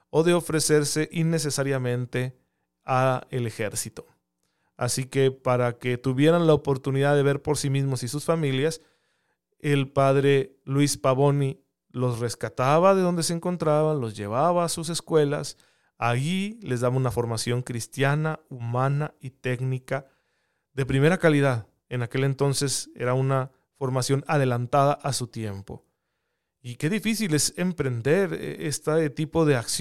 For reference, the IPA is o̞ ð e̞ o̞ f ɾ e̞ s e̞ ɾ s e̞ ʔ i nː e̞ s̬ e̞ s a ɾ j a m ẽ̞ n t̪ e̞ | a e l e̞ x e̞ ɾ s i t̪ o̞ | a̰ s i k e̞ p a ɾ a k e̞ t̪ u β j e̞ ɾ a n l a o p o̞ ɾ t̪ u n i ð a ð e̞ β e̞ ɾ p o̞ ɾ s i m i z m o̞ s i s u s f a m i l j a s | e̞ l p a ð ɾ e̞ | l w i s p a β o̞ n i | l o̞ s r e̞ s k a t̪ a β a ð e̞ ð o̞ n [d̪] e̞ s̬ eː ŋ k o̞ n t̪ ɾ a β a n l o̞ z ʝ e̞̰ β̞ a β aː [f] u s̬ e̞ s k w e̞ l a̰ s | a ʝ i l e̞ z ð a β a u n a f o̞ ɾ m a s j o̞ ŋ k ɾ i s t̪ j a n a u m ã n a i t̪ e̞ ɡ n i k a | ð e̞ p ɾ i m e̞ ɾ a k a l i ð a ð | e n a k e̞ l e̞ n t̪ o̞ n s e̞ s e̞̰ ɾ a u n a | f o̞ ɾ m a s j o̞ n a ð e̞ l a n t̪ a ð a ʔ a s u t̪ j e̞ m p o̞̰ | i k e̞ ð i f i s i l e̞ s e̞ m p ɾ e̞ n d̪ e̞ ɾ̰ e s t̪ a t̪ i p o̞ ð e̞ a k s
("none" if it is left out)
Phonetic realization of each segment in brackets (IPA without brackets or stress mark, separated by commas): d̪, s